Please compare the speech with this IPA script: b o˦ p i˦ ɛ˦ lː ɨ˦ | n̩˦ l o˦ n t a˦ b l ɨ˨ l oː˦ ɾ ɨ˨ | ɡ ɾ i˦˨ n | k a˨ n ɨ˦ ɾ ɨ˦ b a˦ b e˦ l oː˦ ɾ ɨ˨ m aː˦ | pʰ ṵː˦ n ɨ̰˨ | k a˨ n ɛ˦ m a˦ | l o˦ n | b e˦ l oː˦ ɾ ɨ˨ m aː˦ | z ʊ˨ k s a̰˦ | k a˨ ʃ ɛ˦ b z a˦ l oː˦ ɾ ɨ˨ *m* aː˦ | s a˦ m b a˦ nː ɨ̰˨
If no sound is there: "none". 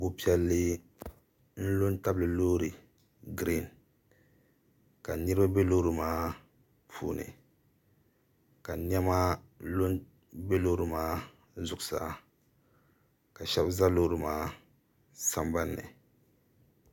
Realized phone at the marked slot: m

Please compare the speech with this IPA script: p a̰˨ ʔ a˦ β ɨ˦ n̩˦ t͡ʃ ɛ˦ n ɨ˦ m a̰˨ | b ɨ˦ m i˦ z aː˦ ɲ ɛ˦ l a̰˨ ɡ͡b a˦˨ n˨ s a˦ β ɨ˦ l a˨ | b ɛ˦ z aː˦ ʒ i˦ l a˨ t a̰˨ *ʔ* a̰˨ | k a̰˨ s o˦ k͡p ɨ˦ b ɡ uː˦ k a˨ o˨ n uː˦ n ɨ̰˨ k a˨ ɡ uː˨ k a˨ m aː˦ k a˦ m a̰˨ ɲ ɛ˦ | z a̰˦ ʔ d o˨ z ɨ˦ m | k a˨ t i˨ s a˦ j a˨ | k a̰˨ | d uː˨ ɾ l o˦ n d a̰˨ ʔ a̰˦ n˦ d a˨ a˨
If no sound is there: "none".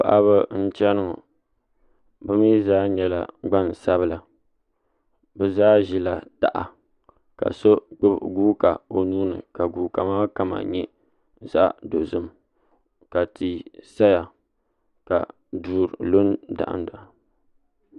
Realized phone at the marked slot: ʔ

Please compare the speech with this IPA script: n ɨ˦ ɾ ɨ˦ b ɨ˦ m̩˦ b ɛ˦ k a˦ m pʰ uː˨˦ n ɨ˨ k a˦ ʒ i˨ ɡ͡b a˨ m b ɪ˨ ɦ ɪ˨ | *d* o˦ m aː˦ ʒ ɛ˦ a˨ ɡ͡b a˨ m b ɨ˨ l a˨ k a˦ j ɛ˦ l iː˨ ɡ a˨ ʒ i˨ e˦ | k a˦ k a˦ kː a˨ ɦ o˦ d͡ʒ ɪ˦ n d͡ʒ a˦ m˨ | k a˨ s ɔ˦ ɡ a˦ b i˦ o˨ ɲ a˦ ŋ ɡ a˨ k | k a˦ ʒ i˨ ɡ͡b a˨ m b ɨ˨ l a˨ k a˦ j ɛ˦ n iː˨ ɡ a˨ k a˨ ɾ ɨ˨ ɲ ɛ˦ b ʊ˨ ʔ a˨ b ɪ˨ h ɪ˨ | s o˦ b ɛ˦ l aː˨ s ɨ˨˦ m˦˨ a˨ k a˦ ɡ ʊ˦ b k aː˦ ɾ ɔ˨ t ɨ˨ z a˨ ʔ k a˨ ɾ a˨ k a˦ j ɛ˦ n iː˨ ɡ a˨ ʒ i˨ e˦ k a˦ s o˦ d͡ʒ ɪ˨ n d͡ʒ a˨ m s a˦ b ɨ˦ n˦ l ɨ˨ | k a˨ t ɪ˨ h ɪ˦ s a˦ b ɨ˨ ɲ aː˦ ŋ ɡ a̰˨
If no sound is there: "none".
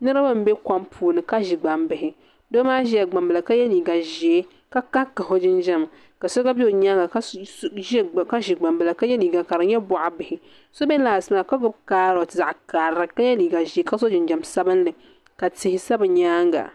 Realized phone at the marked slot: d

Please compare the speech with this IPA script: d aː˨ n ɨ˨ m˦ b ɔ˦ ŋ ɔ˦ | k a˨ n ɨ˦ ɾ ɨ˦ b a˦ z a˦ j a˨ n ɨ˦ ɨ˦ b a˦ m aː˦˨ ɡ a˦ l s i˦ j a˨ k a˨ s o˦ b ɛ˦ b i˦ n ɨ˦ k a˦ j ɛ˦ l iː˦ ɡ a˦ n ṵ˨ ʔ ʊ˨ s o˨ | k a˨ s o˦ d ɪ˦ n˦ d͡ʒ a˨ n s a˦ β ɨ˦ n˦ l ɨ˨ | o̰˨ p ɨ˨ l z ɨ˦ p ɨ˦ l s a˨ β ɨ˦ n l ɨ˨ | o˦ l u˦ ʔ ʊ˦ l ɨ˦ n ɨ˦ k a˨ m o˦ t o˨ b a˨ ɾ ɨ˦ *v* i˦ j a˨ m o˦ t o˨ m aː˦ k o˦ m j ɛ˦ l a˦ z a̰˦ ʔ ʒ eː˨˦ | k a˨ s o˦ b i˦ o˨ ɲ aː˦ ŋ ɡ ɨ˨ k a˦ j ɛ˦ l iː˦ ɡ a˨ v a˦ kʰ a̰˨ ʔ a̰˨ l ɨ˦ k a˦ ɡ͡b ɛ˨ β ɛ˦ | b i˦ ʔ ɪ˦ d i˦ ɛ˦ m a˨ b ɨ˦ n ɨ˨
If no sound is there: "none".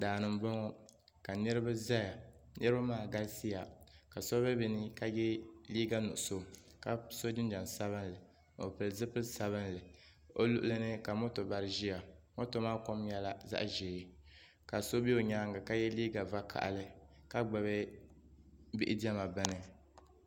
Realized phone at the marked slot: ʒ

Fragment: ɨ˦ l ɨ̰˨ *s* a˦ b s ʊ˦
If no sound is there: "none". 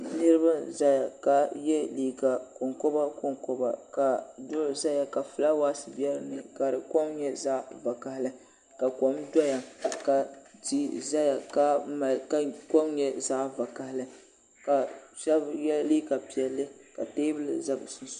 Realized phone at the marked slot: z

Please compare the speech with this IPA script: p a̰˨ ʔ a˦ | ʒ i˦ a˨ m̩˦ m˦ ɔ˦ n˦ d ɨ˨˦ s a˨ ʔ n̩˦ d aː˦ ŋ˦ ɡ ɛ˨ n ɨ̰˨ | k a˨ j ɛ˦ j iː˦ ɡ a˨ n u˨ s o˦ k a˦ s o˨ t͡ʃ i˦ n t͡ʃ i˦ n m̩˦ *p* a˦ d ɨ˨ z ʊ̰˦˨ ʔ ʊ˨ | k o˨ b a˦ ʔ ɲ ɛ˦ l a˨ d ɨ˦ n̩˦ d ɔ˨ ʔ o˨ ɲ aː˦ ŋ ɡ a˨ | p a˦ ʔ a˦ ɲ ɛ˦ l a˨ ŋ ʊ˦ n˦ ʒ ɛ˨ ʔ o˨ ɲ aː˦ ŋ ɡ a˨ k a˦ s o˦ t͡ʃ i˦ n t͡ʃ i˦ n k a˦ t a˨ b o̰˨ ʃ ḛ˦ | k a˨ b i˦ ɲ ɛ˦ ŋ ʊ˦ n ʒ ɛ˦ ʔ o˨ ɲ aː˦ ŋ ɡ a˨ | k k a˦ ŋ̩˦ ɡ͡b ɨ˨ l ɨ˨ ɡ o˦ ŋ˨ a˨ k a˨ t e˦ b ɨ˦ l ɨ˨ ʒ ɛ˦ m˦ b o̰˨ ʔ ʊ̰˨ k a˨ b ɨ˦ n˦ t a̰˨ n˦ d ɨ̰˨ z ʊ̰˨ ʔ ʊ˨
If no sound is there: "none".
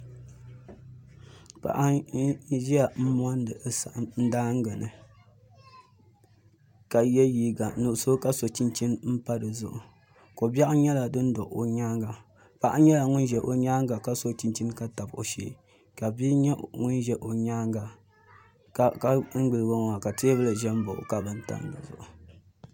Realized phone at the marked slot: p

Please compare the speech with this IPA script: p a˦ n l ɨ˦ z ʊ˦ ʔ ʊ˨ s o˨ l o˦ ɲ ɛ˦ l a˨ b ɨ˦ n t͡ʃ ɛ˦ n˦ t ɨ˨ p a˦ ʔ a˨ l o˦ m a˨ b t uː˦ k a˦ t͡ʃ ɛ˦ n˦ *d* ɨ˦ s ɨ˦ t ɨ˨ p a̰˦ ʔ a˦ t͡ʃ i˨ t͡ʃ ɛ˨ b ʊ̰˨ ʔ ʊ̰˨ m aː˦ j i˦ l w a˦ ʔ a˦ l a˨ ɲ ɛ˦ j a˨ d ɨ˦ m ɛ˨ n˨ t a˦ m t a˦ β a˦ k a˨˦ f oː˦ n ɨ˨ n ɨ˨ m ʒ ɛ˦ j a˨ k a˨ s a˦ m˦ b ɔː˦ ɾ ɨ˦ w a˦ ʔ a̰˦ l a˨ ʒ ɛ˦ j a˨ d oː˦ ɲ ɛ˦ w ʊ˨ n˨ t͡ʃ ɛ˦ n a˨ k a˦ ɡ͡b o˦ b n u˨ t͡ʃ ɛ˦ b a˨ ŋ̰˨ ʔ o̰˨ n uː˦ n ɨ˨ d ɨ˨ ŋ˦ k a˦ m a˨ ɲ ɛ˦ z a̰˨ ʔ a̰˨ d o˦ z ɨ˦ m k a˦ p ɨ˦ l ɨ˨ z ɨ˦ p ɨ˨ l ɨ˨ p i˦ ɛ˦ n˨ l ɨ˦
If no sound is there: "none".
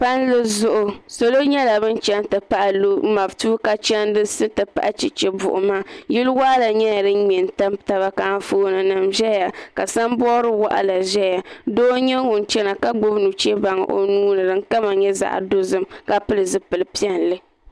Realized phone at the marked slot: d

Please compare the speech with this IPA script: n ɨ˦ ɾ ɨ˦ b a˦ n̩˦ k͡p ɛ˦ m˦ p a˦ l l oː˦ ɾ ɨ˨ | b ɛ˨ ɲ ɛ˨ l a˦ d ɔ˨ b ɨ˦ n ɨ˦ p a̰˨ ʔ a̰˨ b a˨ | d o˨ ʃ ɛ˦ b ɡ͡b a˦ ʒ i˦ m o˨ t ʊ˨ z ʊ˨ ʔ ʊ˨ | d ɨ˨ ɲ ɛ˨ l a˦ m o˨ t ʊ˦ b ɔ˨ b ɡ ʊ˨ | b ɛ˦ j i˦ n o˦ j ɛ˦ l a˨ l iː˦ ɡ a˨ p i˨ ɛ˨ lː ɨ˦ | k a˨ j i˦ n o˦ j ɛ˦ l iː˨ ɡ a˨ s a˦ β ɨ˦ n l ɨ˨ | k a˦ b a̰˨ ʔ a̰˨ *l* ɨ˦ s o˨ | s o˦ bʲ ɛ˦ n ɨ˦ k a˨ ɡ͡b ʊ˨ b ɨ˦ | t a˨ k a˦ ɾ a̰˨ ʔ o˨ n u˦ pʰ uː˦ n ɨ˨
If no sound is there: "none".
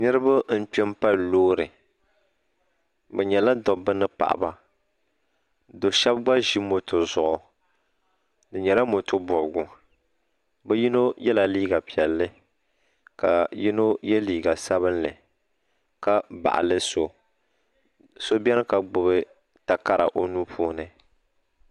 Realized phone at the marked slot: l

